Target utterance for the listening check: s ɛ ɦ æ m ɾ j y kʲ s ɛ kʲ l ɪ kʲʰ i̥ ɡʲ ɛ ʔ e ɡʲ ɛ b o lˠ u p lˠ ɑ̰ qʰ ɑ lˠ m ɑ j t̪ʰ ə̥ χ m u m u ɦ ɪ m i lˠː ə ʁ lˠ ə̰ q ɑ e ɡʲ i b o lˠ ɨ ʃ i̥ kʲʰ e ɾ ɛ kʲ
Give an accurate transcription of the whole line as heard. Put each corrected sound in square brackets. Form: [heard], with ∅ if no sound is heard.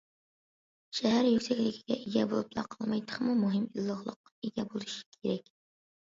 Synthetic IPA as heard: [ʃ] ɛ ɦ æ [∅] ɾ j y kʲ s ɛ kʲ l ɪ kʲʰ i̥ ɡʲ ɛ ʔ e ɡʲ ɛ b o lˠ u p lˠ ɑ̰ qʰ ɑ lˠ m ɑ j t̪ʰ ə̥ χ m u m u ɦ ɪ m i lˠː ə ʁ lˠ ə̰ q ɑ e ɡʲ [ɛ] b o lˠ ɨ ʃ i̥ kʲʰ e ɾ ɛ kʲ